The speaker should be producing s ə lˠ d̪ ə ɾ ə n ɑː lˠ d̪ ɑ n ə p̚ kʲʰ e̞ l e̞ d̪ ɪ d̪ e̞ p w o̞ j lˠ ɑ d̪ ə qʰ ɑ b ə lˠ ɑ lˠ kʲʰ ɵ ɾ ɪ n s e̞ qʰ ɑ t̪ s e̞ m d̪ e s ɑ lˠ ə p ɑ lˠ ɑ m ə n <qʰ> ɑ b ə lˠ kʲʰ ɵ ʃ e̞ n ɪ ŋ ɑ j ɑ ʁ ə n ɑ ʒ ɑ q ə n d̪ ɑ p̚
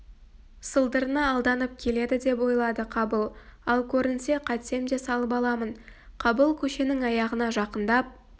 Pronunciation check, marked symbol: correct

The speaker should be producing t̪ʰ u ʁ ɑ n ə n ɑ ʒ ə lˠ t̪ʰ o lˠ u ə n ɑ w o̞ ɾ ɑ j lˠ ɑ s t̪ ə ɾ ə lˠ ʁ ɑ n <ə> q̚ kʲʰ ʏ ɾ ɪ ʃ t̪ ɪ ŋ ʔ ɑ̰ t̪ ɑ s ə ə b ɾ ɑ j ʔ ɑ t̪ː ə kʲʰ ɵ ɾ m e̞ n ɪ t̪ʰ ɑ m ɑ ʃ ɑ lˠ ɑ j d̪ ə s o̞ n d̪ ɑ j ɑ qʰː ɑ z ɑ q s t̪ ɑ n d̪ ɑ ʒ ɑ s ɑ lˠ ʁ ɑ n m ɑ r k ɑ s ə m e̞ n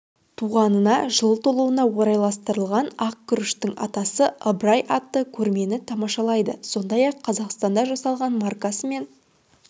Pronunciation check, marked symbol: incorrect: ɑ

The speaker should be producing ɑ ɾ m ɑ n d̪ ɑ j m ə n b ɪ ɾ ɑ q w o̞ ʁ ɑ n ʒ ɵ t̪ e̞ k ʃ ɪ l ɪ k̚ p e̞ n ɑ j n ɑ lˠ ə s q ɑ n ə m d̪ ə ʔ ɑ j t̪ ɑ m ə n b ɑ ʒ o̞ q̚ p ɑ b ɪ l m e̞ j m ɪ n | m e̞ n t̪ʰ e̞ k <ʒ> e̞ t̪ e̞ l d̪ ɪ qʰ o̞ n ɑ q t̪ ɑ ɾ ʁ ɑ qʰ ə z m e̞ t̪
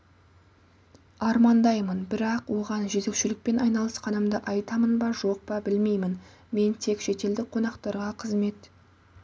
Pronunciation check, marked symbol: incorrect: ʃ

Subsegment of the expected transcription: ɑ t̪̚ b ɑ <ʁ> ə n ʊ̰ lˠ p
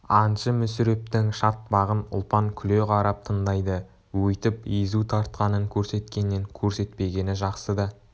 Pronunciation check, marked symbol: correct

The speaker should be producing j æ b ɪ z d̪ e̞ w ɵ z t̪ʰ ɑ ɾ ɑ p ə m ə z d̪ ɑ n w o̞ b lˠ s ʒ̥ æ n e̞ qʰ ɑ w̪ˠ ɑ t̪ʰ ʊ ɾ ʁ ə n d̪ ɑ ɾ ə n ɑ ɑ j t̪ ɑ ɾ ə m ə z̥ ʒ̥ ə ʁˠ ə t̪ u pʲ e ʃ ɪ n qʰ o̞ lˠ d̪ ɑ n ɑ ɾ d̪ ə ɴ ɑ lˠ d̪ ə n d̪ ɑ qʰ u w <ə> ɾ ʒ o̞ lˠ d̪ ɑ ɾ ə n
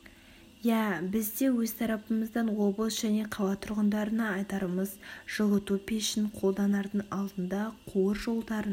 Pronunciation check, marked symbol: correct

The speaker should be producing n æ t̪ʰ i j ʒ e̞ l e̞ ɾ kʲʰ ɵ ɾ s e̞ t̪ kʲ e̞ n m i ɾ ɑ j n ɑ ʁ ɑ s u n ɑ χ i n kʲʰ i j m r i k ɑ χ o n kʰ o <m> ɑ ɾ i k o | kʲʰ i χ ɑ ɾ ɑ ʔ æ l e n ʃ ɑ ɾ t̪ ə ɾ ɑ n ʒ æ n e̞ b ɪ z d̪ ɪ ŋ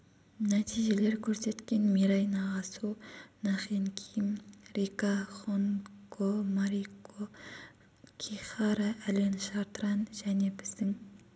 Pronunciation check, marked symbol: correct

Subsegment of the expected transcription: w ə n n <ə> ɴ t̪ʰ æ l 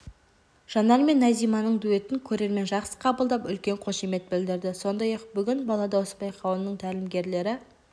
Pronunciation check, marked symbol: correct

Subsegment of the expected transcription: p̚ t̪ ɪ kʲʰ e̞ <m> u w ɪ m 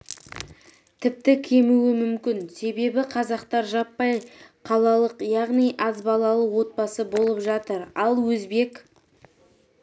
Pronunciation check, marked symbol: correct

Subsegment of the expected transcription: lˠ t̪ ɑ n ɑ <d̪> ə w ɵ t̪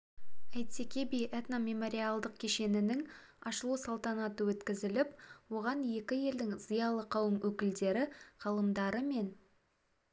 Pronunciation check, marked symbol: incorrect: t̪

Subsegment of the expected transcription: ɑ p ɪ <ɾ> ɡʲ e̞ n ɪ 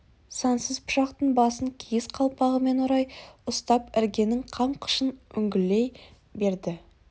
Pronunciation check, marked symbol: correct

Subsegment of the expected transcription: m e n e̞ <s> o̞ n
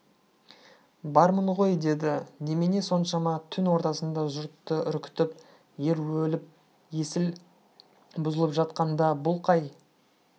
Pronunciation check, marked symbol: correct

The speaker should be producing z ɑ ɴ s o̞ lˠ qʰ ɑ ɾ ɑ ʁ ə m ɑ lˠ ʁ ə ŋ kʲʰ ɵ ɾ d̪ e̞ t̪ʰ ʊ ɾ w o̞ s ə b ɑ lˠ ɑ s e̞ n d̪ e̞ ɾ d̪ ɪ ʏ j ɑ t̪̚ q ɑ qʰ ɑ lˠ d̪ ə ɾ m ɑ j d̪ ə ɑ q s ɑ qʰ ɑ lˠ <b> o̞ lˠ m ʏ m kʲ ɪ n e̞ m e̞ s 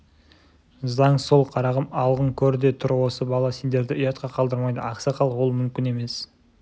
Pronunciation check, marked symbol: incorrect: w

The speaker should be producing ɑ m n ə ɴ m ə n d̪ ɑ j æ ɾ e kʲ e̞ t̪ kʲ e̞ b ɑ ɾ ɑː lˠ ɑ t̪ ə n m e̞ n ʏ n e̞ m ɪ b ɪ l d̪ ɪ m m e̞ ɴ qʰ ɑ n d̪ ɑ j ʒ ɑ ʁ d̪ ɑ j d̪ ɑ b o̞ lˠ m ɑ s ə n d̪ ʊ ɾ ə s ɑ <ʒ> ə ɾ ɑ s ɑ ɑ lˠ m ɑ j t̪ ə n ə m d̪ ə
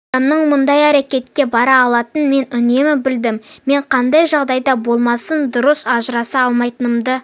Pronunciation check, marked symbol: correct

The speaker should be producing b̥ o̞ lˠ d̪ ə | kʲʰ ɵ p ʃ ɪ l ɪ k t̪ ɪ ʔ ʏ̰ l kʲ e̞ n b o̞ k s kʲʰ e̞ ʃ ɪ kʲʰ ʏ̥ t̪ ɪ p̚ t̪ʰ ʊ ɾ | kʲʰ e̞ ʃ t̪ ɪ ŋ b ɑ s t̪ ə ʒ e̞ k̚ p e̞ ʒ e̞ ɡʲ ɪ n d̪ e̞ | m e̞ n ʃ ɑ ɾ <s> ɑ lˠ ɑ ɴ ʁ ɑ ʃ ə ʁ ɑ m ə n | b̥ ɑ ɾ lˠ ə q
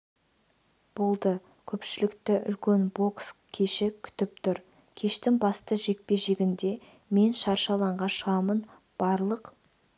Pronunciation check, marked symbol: incorrect: ʃ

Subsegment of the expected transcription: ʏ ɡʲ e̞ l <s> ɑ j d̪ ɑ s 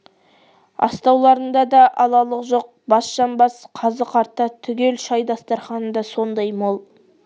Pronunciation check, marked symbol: incorrect: ʃ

